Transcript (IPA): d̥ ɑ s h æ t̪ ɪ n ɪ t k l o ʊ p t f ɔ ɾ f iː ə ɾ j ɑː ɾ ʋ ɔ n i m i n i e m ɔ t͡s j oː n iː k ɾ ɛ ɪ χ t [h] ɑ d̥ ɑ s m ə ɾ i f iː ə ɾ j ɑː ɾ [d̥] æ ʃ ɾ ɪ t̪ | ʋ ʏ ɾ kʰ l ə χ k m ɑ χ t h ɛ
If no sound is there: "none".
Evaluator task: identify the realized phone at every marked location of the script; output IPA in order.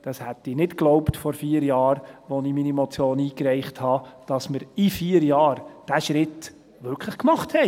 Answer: h, d̥

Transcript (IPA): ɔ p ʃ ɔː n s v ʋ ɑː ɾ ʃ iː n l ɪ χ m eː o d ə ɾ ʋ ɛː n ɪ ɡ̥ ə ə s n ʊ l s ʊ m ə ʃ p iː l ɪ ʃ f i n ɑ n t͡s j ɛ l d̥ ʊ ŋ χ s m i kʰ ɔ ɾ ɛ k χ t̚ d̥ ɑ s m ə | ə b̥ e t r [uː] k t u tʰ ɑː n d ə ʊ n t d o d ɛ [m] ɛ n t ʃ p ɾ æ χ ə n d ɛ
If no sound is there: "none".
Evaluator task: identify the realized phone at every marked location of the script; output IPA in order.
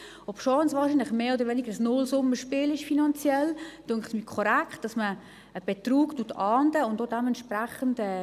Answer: uː, m

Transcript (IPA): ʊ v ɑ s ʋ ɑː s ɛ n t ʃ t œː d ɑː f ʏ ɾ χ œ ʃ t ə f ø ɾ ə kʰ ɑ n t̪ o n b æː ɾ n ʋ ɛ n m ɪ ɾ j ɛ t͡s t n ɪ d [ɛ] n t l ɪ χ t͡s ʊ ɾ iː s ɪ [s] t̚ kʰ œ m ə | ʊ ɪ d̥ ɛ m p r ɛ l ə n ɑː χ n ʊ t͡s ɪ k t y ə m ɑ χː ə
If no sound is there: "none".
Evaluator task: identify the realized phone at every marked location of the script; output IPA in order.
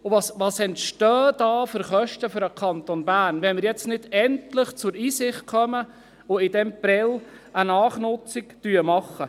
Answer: ɛ, χ

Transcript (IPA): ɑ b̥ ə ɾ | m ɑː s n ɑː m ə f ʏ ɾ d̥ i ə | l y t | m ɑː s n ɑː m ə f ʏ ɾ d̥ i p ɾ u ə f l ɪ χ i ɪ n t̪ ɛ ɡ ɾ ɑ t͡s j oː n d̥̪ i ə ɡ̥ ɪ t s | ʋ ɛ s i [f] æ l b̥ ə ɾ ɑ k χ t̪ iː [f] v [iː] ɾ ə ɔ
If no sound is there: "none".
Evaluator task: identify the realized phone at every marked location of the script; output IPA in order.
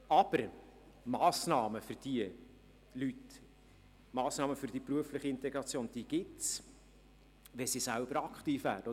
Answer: s, f, æː

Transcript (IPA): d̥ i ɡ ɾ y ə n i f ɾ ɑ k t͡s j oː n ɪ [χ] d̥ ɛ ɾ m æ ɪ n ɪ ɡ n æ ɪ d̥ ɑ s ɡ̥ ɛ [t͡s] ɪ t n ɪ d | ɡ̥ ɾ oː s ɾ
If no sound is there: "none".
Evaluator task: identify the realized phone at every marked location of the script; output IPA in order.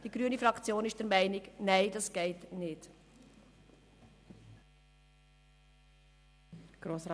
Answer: ʃ, none

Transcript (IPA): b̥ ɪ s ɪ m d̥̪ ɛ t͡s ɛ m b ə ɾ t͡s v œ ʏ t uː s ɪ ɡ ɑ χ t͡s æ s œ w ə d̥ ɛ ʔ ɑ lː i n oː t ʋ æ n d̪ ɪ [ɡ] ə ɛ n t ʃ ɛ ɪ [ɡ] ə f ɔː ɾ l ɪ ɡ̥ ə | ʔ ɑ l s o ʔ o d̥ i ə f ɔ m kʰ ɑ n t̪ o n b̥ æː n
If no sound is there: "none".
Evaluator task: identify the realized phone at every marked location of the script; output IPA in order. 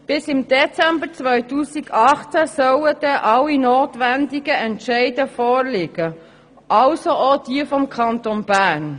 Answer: ɡ, d

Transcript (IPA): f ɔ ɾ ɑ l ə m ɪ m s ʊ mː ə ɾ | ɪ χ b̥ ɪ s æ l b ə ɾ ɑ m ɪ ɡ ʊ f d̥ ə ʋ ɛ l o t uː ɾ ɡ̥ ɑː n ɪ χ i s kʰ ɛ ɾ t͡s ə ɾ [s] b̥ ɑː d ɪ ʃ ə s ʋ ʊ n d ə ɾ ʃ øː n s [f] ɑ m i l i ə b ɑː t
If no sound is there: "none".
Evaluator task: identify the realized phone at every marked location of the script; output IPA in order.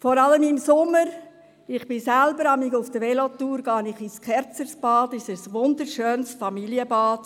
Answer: s, f

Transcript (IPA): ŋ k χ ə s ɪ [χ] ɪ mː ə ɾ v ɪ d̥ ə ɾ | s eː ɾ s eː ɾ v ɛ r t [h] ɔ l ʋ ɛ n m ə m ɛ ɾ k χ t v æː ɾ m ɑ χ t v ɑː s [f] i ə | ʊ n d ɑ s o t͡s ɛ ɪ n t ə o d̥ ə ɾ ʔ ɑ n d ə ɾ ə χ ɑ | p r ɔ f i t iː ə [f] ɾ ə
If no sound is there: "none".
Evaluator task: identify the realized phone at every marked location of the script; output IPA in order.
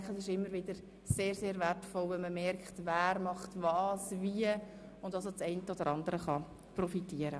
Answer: ʃ, f, v, none

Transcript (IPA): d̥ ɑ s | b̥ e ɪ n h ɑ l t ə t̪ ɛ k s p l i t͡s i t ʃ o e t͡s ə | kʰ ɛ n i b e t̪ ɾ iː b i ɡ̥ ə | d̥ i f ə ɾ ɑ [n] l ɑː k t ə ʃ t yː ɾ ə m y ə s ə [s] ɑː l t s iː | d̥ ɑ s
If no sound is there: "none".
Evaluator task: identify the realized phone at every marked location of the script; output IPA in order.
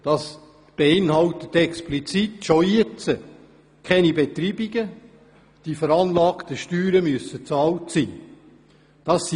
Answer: n, t͡s

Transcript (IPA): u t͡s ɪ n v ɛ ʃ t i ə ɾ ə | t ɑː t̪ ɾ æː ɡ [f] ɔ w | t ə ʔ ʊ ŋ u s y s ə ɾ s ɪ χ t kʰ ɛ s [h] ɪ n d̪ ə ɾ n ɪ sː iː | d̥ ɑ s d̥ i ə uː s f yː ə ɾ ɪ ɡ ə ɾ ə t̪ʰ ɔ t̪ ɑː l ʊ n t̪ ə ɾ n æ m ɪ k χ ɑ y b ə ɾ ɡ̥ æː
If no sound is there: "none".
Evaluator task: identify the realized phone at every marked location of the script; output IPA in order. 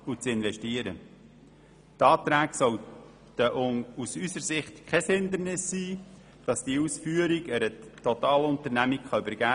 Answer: s, h

